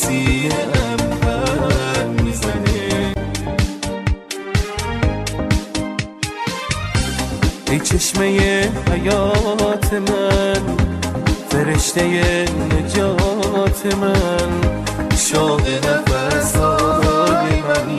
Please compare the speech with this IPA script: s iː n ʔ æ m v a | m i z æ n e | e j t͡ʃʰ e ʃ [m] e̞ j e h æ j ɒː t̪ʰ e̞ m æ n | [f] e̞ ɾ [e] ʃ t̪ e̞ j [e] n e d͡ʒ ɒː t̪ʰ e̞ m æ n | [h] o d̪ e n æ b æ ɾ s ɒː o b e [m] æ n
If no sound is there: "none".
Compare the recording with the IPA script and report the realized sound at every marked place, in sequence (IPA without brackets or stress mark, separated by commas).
m, f, e, e, ʃ, m